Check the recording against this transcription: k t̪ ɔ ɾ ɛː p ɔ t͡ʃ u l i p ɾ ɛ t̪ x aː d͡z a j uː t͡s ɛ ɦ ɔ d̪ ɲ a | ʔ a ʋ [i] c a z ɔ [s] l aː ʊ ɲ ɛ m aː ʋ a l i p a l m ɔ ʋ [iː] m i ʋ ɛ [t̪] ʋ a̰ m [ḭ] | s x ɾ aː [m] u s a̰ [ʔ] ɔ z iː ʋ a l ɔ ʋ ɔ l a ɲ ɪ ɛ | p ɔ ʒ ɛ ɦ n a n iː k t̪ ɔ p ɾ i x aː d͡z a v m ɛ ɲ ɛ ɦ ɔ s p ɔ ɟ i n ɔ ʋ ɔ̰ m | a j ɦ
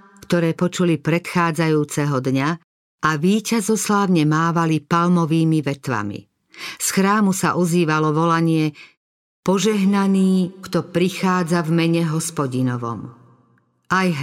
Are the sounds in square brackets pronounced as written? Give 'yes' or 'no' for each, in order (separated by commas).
no, yes, yes, yes, yes, yes, yes